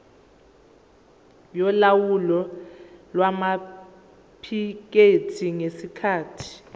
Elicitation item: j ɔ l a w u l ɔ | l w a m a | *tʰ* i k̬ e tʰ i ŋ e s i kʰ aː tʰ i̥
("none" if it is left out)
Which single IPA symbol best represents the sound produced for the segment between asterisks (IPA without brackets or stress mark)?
pʰ